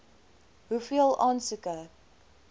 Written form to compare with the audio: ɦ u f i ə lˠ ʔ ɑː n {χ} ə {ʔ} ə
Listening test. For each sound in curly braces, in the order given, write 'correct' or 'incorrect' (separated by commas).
incorrect, incorrect